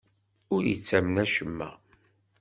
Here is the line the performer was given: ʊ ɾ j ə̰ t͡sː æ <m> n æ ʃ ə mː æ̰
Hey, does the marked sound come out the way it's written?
yes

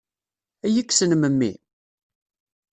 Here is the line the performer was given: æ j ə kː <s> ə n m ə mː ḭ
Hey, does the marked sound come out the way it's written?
yes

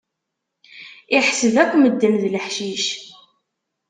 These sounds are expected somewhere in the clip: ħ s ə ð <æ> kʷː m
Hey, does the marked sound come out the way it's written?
yes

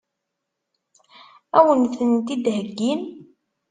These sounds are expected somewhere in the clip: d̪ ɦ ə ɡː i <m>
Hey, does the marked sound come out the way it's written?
no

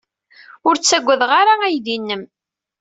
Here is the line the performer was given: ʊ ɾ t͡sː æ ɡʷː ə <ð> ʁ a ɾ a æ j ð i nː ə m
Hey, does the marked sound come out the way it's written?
yes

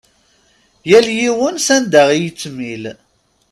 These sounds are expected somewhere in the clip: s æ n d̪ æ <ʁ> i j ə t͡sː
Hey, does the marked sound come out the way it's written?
yes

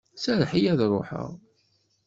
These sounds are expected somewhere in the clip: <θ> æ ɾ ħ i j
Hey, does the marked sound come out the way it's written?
no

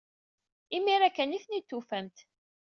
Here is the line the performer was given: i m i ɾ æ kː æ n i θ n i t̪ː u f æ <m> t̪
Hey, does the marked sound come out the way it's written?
yes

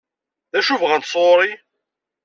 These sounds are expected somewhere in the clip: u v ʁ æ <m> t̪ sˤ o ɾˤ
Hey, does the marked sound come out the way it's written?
no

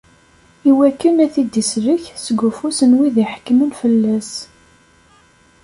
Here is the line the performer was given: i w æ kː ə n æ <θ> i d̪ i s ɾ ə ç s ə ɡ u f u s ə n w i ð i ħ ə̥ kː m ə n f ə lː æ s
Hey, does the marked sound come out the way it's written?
yes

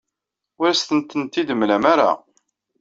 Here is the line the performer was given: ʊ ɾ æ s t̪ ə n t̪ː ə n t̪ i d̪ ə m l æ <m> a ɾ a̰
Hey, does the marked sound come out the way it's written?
yes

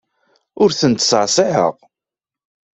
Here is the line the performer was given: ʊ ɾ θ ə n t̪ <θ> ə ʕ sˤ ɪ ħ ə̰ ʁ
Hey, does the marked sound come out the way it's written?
no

